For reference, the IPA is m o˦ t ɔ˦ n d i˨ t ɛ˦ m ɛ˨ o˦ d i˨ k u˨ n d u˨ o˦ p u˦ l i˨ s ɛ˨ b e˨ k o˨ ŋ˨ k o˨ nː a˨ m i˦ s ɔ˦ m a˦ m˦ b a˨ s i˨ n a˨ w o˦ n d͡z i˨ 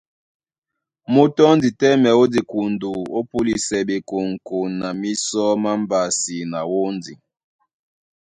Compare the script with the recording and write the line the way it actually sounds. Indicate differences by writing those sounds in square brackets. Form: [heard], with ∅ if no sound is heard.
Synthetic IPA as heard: m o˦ t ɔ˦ n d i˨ t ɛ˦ m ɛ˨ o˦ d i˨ k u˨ n d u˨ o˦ p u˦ l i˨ s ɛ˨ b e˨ k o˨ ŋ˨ k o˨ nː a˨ m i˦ s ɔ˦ m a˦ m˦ b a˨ s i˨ n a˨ w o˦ n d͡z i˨